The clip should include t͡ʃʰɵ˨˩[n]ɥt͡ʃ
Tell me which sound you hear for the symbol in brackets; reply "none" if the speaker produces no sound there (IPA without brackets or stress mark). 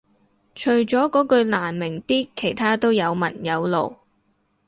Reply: none